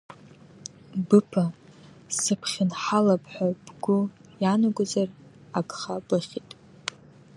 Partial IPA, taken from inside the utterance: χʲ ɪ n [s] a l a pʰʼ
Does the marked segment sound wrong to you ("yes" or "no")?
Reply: yes